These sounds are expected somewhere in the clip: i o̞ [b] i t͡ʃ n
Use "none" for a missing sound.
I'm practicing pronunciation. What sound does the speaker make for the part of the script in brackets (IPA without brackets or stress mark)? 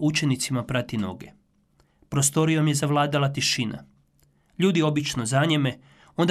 b